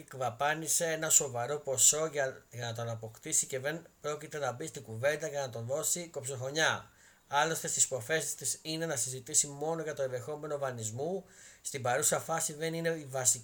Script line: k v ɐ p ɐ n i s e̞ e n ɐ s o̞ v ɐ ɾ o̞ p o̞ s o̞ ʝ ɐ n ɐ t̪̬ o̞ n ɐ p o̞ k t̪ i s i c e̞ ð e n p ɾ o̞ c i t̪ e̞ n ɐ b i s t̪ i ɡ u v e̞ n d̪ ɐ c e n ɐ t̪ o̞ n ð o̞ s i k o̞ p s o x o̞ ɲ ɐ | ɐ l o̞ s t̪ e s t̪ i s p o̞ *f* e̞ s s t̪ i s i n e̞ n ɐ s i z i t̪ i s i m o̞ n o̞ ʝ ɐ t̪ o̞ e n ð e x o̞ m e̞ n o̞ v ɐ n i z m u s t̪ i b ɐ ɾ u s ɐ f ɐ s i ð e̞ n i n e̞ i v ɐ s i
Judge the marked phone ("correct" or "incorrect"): correct